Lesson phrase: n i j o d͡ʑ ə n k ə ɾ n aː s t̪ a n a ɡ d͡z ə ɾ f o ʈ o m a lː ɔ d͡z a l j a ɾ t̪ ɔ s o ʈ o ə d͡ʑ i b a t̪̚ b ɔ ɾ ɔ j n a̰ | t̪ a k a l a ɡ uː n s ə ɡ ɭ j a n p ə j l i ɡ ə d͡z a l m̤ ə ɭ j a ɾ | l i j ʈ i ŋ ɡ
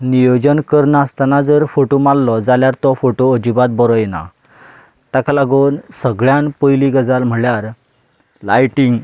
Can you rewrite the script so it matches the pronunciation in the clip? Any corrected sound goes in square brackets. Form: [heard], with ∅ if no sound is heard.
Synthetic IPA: n i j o d͡ʑ ə n k ə ɾ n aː s t̪ a n a [∅] d͡z ə ɾ f o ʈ o m a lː ɔ d͡z a l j a ɾ t̪ ɔ [f] o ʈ o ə d͡ʑ i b a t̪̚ b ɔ ɾ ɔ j n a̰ | t̪ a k a l a ɡ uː n s ə ɡ ɭ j a n p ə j l i ɡ ə d͡z a l m̤ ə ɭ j a ɾ | l [a] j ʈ i ŋ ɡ